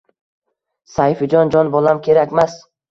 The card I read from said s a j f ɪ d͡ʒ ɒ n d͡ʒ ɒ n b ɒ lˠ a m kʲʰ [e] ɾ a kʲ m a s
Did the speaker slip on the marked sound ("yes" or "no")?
no